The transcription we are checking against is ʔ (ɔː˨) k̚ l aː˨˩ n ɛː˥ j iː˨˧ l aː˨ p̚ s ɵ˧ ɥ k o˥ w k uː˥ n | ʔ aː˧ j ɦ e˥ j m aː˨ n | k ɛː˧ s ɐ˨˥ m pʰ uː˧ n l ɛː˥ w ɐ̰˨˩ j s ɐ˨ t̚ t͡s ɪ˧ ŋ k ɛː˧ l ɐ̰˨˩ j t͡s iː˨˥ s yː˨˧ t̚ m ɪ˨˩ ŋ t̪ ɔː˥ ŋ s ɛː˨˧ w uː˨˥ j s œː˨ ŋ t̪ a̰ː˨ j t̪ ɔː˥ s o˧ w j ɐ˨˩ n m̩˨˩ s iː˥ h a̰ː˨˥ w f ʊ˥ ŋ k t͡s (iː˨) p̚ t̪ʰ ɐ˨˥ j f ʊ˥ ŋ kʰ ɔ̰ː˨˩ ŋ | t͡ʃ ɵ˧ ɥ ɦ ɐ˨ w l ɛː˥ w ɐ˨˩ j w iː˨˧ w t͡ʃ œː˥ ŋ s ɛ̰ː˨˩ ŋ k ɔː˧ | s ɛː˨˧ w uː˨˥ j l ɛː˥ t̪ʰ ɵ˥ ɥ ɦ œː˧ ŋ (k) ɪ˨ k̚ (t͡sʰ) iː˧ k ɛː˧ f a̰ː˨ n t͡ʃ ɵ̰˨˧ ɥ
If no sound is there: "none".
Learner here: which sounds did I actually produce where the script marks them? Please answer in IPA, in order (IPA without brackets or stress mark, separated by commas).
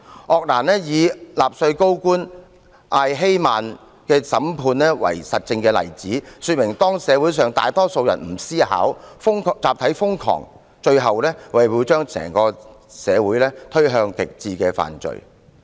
ɔː˨, aː˨, k, t͡s